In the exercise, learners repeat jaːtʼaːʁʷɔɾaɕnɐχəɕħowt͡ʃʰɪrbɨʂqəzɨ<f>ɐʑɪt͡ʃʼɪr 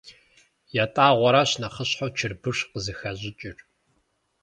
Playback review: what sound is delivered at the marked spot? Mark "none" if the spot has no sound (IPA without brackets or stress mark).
x